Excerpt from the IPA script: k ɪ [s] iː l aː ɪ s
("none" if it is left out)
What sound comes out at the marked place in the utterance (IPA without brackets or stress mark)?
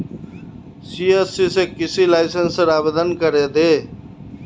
s